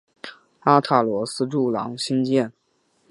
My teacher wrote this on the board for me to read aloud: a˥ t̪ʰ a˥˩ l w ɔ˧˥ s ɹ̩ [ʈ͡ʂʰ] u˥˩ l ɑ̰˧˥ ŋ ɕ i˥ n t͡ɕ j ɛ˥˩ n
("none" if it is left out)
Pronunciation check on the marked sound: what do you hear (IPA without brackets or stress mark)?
ʈ͡ʂ